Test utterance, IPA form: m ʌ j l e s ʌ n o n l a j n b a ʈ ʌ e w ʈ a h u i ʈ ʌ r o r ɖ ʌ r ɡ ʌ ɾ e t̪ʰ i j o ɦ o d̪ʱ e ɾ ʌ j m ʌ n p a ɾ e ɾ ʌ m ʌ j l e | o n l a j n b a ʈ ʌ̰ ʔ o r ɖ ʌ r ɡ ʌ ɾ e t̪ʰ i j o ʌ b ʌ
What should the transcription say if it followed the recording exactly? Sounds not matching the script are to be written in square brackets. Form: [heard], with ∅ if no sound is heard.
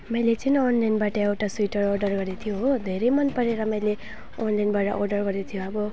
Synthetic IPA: m ʌ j l e [t͡s] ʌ n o n l a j n b a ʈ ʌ e w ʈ a [s] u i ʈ ʌ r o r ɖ ʌ r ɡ ʌ ɾ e t̪ʰ i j o ɦ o d̪ʱ e ɾ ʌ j m ʌ n p [ʌ] ɾ e ɾ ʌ m ʌ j l e | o n l a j n b a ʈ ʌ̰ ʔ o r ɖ ʌ r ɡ ʌ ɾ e t̪ʰ i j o ʌ b ʌ